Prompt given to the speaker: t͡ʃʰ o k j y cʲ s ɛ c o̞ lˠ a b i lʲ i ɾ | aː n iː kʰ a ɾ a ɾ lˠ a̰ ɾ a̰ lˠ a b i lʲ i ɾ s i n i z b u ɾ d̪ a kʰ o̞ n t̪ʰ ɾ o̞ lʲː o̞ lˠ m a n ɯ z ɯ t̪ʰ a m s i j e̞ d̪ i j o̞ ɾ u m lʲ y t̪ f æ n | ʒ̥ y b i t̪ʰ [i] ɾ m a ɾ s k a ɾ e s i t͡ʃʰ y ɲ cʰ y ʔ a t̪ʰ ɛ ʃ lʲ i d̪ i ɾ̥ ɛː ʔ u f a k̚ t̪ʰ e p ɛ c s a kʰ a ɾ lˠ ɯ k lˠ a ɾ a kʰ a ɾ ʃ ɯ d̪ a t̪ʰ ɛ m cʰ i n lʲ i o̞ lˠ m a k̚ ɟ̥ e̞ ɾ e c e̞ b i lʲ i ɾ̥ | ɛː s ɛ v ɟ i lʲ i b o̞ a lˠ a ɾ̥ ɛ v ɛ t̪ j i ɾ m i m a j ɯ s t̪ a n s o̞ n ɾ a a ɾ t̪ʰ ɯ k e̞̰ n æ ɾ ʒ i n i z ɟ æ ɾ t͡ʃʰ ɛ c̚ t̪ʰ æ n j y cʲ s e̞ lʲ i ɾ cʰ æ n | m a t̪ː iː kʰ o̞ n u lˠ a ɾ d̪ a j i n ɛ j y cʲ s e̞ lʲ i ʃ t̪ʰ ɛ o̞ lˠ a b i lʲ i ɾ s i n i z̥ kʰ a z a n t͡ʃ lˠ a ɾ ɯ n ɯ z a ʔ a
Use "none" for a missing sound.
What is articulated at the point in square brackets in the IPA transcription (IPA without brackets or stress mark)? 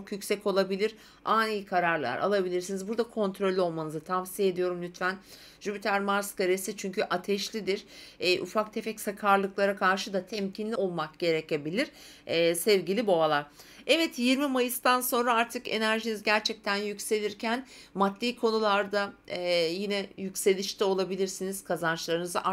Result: æ